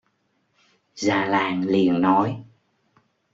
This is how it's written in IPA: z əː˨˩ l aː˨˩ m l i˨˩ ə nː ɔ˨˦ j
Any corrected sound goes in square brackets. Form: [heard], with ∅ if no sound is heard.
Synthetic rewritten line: z [aː˨˩] l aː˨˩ [ŋ] l i˨˩ ə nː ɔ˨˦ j